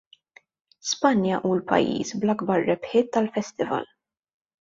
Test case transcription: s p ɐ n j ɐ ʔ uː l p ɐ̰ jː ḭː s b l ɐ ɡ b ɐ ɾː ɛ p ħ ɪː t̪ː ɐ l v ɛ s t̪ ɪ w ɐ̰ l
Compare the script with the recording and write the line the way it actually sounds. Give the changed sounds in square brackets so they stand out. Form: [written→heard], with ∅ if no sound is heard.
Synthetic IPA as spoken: s p ɐ n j ɐ ʔ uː l p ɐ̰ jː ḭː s b l ɐ ɡ b ɐ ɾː ɛ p ħ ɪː t̪ː ɐ l [v→f] ɛ s t̪ ɪ [w→v] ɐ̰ l